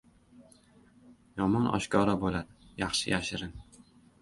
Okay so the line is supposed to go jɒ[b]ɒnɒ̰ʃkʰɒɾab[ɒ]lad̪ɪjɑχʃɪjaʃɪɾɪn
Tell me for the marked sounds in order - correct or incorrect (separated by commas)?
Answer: incorrect, incorrect